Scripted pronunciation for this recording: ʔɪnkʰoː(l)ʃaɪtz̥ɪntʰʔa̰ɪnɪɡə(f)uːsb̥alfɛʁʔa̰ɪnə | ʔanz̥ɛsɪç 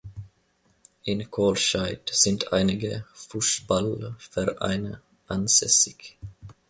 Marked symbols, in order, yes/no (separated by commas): yes, yes